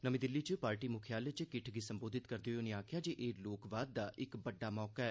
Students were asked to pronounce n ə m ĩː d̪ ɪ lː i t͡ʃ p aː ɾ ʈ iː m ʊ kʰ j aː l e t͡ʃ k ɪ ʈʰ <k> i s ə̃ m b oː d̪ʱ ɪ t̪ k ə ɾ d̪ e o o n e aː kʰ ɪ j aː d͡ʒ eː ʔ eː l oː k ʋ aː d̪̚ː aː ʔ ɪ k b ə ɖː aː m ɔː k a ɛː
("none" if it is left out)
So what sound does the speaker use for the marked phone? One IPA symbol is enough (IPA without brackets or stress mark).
ɡ